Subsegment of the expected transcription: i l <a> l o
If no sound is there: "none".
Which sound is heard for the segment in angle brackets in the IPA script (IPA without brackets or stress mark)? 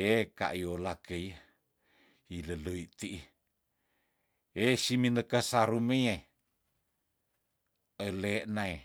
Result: ə